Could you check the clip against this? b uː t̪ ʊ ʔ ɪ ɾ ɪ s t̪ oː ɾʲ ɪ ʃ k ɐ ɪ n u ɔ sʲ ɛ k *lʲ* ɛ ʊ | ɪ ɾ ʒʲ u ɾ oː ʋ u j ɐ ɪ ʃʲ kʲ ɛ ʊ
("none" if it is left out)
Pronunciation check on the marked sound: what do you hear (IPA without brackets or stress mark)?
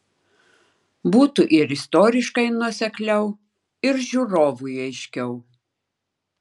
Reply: lʲ